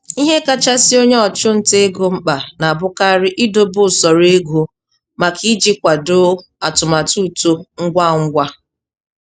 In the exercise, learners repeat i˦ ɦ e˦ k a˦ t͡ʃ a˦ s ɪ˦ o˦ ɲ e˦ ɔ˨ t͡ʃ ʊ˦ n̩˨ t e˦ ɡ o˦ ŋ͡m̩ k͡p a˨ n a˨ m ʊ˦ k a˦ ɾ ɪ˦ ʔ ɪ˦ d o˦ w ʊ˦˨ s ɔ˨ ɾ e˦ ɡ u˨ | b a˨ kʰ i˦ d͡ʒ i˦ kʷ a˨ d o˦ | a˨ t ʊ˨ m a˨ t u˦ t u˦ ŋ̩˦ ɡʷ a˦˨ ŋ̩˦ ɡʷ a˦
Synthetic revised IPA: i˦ ɦ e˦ k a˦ t͡ʃ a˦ s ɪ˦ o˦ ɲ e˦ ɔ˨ t͡ʃ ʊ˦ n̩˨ t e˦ ɡ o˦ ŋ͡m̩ k͡p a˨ n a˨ b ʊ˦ k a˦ ɾ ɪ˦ ʔ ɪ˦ d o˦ b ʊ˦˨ s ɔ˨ ɾ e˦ ɡ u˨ | m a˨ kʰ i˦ d͡ʒ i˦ kʷ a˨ d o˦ | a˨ t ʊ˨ m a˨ t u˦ t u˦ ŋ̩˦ ɡʷ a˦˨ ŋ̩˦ ɡʷ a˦